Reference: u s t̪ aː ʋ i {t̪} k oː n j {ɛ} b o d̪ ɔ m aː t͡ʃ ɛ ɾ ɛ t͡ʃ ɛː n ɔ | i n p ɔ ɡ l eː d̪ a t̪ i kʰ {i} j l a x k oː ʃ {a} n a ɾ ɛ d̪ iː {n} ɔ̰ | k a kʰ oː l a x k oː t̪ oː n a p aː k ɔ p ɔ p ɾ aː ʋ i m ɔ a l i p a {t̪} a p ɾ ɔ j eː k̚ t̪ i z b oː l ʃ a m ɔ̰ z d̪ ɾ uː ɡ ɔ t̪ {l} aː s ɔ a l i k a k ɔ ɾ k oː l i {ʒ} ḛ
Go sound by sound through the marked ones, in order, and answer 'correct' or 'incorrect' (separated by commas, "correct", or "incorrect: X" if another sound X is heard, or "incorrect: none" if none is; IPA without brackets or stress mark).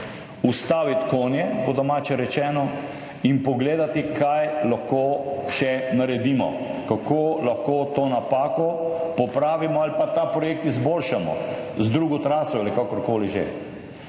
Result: correct, correct, incorrect: a, incorrect: ɛ, incorrect: m, correct, incorrect: ɾ, correct